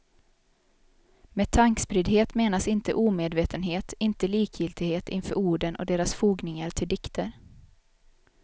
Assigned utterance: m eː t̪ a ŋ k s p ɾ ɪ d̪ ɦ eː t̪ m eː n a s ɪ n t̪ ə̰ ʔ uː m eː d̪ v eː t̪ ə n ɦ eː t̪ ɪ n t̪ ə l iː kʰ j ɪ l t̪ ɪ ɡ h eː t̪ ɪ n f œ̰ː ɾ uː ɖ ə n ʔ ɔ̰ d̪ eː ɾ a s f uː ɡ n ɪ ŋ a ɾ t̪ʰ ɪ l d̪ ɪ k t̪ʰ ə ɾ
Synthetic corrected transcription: m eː t̪ʰ a ŋ k s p ɾ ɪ d̪ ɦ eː t̪ m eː n a s ɪ n t̪ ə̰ ʔ uː m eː d̪ v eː t̪ ə n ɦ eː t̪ ɪ n t̪ ə l iː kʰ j ɪ l t̪ ɪ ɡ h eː t̪ ɪ n f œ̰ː ɾ uː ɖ ə n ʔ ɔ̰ d̪ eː ɾ a s f uː ɡ n ɪ ŋ a ɾ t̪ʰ ɪ l d̪ ɪ k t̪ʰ ə ɾ